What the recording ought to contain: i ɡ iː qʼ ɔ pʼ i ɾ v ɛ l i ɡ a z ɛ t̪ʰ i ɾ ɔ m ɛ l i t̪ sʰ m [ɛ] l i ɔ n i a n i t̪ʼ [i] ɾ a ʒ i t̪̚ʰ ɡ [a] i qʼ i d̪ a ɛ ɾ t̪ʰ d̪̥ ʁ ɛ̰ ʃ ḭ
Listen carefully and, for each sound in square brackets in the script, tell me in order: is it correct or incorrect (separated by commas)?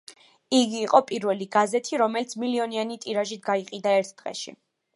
incorrect, correct, correct